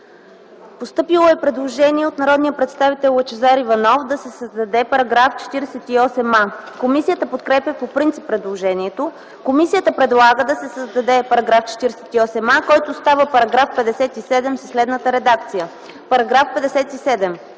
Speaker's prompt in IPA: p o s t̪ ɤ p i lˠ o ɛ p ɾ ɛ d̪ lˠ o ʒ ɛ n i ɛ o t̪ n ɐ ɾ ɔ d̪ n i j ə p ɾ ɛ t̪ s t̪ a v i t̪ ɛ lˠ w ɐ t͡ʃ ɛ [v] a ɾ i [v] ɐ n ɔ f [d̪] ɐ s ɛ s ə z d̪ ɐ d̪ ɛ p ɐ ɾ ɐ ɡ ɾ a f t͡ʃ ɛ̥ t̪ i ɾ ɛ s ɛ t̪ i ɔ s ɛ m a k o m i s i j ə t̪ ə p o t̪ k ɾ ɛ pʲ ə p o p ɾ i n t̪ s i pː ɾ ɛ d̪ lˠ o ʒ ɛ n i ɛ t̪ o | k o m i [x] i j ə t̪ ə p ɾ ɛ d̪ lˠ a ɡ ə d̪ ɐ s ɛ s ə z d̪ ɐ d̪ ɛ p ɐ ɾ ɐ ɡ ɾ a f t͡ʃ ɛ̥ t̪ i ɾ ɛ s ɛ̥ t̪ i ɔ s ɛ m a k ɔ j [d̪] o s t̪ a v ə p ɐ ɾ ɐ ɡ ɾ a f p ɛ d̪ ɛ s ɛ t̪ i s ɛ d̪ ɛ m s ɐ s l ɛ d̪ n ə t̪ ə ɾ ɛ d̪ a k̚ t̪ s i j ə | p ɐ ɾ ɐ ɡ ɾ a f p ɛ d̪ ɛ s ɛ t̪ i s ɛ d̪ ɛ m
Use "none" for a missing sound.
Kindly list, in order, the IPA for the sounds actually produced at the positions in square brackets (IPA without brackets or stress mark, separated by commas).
z, v, d̪, s, t̪